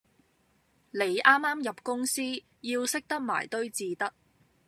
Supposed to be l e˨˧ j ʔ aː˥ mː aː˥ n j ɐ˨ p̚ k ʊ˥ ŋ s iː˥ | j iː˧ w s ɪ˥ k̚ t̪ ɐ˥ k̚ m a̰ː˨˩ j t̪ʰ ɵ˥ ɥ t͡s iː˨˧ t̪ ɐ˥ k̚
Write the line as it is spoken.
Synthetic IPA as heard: l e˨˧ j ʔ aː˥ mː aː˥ m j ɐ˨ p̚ k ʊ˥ ŋ s iː˥ | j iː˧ w s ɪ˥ k̚ t̪ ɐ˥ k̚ m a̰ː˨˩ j t̪ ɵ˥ ɥ t͡s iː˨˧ t̪ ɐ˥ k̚